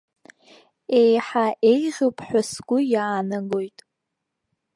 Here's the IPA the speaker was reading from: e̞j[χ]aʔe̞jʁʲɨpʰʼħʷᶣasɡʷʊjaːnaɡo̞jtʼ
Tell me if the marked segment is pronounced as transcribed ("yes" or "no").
no